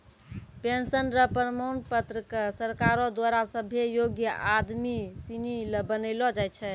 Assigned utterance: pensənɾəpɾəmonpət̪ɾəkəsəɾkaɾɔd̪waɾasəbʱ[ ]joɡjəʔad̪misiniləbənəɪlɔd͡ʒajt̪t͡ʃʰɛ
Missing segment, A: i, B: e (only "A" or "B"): B